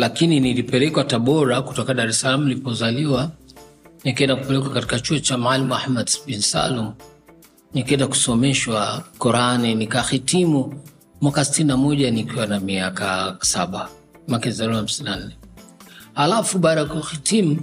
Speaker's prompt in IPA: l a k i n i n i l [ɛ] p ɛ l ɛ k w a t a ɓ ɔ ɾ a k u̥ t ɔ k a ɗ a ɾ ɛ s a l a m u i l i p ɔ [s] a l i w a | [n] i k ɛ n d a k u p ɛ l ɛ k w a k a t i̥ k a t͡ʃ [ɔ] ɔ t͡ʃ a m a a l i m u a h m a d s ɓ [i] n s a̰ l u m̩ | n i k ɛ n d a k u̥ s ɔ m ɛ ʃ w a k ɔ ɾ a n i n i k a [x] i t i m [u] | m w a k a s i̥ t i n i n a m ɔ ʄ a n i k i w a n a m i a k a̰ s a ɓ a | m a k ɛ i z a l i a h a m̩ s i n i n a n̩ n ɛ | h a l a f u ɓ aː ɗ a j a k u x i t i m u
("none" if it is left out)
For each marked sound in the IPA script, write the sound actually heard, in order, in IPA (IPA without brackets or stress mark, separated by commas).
i, z, n, u, i, x, u